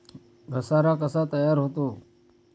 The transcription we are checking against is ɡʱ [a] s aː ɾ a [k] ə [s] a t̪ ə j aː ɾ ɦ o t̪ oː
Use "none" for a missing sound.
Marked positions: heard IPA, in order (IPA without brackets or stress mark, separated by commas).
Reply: ə, k, s